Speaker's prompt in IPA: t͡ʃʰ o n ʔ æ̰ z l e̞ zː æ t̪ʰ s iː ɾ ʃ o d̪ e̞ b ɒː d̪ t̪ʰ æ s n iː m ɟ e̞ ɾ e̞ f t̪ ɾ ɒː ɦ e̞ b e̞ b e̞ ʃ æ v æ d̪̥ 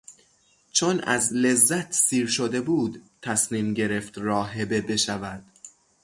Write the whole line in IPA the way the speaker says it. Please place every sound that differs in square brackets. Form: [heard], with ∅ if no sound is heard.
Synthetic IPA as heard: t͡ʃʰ o n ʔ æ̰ z l e̞ zː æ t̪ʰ s iː ɾ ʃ o d̪ e̞ b [uː] d̪ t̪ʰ æ s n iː m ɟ e̞ ɾ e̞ f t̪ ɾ ɒː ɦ e̞ b e̞ b e̞ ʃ æ v æ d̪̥